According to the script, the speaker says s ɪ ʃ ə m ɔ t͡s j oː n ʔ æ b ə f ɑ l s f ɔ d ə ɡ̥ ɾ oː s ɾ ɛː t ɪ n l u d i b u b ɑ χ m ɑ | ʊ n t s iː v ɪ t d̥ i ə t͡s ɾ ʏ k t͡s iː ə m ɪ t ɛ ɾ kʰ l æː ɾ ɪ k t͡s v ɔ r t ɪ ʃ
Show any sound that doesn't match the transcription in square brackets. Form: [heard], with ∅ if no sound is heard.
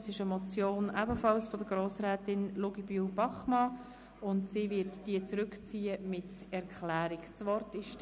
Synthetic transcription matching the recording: s ɪ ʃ ə m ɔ t͡s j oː n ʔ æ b ə f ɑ l s f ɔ d ə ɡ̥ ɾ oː s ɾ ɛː t ɪ n l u [ɡ] i b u b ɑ χ m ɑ | ʊ n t s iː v ɪ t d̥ i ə t͡s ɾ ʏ k t͡s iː ə m ɪ t ɛ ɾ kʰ l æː ɾ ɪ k t͡s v ɔ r t ɪ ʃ